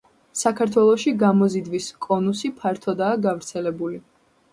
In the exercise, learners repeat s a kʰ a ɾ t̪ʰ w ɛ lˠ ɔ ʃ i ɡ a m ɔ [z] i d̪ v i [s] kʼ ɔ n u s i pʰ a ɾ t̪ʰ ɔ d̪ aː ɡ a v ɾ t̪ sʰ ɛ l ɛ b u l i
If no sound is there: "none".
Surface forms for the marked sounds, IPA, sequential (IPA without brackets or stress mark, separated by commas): z, s